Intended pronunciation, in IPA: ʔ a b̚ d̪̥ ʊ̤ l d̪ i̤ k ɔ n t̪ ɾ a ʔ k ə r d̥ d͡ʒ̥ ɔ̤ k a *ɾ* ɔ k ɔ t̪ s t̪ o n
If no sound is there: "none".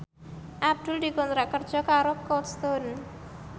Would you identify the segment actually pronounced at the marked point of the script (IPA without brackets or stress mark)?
ɾ